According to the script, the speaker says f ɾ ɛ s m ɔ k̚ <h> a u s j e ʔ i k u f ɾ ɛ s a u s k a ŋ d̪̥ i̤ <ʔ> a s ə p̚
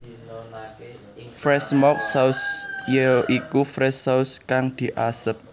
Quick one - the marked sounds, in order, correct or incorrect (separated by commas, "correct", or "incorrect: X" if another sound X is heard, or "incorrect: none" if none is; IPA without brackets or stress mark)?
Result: incorrect: s, correct